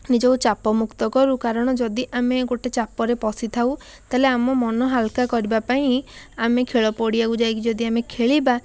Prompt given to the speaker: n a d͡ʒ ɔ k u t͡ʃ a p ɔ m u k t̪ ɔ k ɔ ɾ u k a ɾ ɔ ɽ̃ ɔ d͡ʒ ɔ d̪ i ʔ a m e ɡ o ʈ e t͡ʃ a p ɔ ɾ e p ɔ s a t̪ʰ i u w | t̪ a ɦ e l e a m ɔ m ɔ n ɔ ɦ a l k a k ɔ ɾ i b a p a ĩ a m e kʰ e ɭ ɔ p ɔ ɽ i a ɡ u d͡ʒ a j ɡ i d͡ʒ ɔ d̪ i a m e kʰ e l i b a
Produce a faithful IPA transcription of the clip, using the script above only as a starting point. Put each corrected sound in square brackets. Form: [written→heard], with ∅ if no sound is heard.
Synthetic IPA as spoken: n [a→i] d͡ʒ ɔ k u t͡ʃ a p ɔ m u k t̪ ɔ k ɔ ɾ u k a ɾ ɔ ɽ̃ ɔ d͡ʒ ɔ d̪ i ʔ a m e ɡ o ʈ e t͡ʃ a p ɔ ɾ e p ɔ s [a→i] t̪ʰ [i→a] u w | t̪ a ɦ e l e a m ɔ m ɔ n ɔ ɦ a l k a k ɔ ɾ i b a p a ĩ a m e kʰ e ɭ ɔ p ɔ ɽ i a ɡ u d͡ʒ a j [ɡ→k] i d͡ʒ ɔ d̪ i a m e kʰ e [l→ɭ] i b a